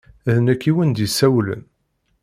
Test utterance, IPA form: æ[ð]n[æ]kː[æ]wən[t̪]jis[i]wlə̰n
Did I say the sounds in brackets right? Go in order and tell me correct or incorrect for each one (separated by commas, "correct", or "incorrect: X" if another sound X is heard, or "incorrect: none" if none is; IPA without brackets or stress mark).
correct, correct, incorrect: i, incorrect: d̪, incorrect: æ